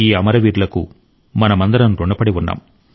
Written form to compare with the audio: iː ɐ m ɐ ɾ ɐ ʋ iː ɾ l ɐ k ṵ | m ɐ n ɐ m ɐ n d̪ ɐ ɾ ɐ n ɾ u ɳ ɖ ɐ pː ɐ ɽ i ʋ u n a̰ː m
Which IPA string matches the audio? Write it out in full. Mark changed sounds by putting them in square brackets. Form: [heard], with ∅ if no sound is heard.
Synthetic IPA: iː ɐ m ɐ ɾ ɐ ʋ iː ɾ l ɐ k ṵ | m ɐ n ɐ m ɐ n d̪ ɐ ɾ ɐ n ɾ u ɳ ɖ ɐ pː ɐ ɽ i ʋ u [nː] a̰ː m